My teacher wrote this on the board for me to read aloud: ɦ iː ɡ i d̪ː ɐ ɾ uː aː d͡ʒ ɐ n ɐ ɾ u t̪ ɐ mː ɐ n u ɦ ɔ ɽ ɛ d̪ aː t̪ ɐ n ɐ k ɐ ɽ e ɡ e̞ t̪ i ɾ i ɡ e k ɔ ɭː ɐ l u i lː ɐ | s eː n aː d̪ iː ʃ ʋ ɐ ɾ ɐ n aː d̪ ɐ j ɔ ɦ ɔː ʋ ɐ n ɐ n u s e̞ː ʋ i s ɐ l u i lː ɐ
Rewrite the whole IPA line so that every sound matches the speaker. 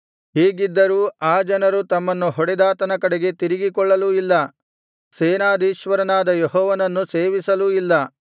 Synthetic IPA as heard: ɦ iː ɡ i d̪ː ɐ ɾ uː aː d͡ʒ ɐ n ɐ ɾ u t̪ ɐ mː ɐ nː u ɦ ɔ ɽ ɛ d̪ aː t̪ ɐ n ɐ k ɐ ɽ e ɡ e̞ t̪ i ɾ i ɡ i k ɔ ɭː ɐ l u i lː ɐ | s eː n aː d̪ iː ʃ ʋ ɐ ɾ ɐ n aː d̪ ɐ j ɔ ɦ ɔː ʋ ɐ n ɐ nː u s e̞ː ʋ i s ɐ l u i lː ɐ